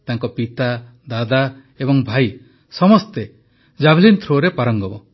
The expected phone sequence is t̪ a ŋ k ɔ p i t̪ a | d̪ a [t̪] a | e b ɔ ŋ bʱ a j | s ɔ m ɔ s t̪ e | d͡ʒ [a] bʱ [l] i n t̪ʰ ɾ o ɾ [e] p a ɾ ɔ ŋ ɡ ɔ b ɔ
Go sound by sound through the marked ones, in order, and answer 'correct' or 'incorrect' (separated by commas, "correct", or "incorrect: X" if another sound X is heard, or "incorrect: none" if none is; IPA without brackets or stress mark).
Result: incorrect: d̪, correct, correct, correct